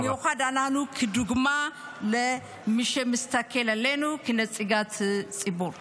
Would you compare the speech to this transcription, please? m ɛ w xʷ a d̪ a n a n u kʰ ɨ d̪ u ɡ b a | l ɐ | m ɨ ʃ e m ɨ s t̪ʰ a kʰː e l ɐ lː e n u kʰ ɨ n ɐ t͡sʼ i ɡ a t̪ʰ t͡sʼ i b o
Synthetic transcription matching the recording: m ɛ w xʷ a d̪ a n a n u kʰ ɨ d̪ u ɡ m a | l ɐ | m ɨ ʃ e m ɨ s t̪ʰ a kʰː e l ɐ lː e n u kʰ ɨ n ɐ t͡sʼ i ɡ a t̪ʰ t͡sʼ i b o